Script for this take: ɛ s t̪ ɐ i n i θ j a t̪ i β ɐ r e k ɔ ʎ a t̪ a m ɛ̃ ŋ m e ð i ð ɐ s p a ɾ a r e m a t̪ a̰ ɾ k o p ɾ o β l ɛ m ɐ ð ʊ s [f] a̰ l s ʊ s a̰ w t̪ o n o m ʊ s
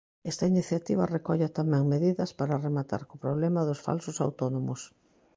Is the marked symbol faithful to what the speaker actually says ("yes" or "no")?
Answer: yes